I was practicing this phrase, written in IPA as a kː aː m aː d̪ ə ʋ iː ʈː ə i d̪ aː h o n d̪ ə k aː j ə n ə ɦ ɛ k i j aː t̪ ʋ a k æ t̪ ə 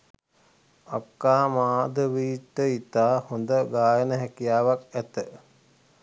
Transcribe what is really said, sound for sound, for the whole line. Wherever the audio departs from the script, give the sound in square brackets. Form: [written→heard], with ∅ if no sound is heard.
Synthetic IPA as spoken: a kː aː m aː d̪ ə ʋ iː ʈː ə i [d̪→t̪] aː h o n d̪ ə [k→ɡ] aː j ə n ə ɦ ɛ k i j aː [t̪→∅] ʋ a k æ t̪ ə